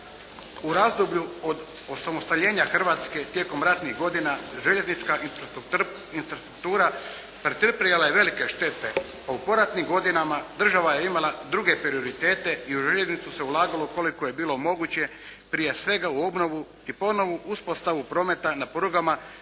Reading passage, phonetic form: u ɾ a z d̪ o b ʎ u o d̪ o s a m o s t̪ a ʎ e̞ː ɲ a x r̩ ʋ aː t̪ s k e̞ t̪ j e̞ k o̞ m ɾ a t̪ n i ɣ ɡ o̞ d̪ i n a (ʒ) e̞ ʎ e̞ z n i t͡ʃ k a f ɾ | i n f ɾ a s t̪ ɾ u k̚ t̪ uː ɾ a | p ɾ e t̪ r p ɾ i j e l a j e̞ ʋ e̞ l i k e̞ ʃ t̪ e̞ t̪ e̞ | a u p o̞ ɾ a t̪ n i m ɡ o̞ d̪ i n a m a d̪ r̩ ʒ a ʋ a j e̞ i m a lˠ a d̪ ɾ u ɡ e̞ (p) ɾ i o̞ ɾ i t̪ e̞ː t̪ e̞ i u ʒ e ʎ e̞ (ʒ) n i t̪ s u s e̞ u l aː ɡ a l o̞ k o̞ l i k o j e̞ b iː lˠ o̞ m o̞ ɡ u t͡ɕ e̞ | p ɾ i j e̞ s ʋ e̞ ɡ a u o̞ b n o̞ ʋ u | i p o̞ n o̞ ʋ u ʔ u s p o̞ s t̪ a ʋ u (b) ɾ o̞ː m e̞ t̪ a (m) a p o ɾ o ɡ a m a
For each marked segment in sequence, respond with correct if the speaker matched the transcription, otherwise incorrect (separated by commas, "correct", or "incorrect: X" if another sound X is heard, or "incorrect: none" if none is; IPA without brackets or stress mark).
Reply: correct, correct, incorrect: z, incorrect: p, incorrect: n